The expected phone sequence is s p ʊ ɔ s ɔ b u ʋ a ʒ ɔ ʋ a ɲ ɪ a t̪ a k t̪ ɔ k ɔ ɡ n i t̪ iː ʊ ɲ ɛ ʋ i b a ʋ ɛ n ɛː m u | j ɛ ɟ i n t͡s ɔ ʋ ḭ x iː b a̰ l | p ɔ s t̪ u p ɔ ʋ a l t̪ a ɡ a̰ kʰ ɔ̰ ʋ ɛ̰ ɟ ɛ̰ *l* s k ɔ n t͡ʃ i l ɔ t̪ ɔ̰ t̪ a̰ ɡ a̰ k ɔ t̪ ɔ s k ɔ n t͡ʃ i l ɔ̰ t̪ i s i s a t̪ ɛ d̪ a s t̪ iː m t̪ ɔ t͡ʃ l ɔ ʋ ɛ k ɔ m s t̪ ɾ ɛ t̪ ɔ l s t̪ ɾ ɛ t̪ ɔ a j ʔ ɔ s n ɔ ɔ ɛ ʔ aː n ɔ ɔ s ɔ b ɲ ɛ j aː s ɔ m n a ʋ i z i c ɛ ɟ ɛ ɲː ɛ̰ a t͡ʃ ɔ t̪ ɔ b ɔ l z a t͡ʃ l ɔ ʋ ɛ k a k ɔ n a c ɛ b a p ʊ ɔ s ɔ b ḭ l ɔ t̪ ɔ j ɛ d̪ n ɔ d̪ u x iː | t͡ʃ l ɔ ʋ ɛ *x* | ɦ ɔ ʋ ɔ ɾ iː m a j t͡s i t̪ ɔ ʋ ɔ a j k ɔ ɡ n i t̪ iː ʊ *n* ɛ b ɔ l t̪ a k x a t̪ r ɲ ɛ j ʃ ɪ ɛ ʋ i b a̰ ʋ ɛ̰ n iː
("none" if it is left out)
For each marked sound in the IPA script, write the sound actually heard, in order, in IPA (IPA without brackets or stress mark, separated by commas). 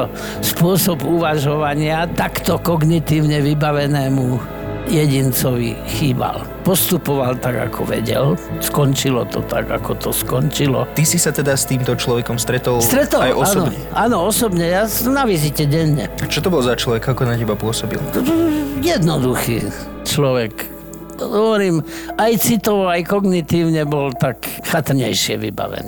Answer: l, k, ɲ